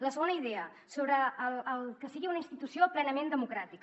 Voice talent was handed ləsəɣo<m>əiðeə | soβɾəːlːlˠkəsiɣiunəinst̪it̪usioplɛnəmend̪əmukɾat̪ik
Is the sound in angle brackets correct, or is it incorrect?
incorrect